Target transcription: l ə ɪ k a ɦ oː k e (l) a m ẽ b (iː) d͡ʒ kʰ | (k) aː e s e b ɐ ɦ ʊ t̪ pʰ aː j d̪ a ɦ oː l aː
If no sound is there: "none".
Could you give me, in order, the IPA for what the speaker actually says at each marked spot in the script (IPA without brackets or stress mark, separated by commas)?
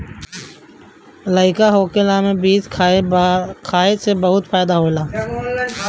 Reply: l, iː, kʰ